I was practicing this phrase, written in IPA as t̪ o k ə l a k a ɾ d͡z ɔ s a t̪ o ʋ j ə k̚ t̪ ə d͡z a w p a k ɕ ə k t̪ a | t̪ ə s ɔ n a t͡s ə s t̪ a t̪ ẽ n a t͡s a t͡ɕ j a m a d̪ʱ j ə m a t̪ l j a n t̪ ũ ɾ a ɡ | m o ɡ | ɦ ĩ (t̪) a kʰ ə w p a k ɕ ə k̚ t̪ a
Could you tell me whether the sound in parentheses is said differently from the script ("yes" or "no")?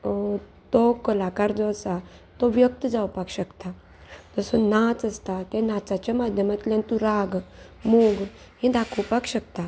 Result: yes